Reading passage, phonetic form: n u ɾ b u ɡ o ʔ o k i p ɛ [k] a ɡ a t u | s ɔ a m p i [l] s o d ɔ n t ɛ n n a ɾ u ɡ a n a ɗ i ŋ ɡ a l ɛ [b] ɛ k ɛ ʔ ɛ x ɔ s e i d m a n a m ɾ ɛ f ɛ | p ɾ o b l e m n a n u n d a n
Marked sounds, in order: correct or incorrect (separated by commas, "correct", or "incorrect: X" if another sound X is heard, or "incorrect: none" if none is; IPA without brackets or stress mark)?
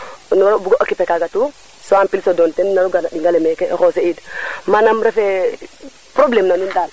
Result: correct, correct, incorrect: m